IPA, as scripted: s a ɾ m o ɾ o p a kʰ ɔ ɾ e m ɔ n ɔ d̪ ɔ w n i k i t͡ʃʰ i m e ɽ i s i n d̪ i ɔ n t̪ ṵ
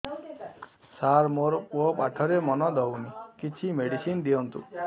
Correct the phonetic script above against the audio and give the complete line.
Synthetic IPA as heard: s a ɾ m o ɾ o p a ʈʰ ɔ ɾ e m ɔ n ɔ d̪ ɔ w n i k i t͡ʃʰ i m e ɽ i s i n d̪ i ɔ n t̪ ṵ